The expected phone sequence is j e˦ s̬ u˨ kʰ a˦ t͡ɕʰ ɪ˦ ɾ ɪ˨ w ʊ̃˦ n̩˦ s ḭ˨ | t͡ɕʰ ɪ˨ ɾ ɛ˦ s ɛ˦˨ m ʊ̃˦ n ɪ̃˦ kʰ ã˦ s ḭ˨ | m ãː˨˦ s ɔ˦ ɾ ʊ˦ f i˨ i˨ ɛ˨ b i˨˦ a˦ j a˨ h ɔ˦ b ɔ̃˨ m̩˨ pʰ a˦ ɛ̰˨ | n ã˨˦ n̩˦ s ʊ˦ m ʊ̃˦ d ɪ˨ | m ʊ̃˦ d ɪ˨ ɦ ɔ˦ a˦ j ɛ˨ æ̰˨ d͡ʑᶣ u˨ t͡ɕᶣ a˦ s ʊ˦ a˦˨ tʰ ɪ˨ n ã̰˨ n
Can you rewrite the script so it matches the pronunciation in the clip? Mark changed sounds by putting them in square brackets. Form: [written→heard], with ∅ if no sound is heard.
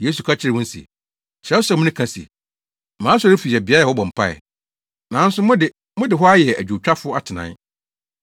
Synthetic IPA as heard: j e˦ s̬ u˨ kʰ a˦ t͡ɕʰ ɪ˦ ɾ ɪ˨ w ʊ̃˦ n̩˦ s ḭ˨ | t͡ɕʰ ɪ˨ ɾ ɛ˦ s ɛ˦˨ m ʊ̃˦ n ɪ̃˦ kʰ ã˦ s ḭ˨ | m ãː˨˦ s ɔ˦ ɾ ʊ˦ f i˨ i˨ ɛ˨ b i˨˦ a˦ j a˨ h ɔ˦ b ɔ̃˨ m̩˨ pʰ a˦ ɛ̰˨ | n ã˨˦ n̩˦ s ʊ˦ m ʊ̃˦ d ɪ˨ | m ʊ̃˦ d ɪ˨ ɦ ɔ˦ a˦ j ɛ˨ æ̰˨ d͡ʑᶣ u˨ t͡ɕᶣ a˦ [s→f] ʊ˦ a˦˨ tʰ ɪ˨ n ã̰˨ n